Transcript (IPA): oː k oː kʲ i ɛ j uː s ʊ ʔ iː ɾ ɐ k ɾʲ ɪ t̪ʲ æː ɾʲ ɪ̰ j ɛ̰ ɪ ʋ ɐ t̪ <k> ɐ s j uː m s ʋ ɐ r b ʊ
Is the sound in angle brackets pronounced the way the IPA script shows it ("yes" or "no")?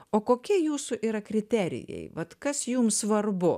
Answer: yes